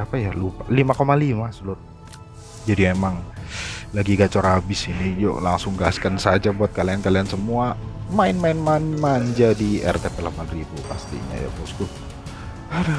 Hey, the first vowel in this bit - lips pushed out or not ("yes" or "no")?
no